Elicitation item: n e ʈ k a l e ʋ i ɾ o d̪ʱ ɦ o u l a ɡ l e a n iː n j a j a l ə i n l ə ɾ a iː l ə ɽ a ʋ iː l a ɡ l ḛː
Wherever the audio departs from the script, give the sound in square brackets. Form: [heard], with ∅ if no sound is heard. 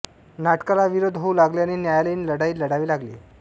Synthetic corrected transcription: n [a] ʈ k a l [a] ʋ i ɾ o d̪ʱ ɦ o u l a ɡ l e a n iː n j a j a l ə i n l ə [ɽ] a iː l ə ɽ a ʋ iː l a ɡ l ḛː